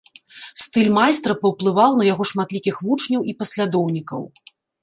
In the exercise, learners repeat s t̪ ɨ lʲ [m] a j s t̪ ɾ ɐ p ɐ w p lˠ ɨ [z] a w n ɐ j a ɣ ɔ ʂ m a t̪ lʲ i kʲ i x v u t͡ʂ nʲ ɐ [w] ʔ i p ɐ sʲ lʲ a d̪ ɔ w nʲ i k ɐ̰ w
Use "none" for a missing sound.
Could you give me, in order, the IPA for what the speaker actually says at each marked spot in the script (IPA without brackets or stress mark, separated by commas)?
m, v, w